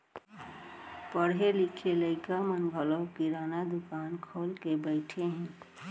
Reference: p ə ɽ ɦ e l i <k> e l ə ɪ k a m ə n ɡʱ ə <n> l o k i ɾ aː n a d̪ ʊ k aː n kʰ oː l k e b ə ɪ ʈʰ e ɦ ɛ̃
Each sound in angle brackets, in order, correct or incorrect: incorrect, incorrect

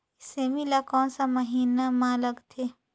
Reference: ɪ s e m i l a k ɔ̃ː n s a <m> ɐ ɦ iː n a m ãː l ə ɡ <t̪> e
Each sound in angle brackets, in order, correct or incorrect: correct, incorrect

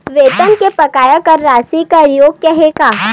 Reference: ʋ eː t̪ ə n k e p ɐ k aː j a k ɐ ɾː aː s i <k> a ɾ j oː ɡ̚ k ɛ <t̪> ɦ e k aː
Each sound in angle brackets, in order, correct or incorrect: correct, incorrect

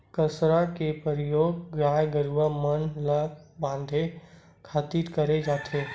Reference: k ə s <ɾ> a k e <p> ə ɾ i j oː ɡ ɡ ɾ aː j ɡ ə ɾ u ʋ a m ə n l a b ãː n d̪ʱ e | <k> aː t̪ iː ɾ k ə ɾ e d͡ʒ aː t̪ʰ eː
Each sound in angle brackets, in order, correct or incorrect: correct, correct, incorrect

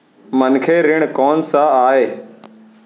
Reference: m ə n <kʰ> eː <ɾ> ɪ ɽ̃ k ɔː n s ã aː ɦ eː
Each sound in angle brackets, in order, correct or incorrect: correct, correct

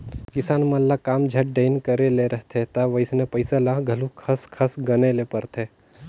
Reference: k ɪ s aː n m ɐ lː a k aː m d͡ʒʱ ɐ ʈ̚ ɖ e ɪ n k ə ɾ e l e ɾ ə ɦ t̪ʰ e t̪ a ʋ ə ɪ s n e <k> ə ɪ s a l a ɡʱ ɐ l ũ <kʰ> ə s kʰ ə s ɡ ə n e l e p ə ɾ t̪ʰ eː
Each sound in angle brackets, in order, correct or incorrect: incorrect, correct

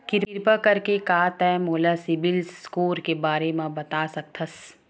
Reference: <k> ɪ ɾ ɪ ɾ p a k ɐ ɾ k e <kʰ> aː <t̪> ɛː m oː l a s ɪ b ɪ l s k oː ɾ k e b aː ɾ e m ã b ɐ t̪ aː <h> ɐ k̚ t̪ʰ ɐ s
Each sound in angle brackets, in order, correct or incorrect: correct, incorrect, correct, incorrect

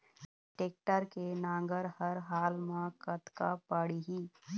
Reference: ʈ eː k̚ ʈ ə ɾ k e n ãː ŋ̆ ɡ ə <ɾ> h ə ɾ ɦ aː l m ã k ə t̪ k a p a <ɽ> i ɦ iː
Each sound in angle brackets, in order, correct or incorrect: correct, correct

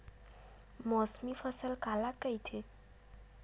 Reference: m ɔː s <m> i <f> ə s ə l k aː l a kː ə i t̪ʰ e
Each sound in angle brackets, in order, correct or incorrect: correct, correct

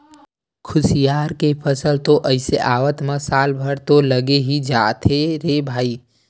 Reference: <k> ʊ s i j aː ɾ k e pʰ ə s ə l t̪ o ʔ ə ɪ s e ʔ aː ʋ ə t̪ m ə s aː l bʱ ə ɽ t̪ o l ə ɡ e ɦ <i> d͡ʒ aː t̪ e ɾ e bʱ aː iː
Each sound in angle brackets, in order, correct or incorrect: incorrect, correct

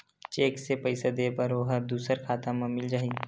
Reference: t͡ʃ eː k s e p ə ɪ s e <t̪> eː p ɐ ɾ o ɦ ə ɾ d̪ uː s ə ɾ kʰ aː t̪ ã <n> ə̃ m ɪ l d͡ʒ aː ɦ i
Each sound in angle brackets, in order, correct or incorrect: incorrect, incorrect

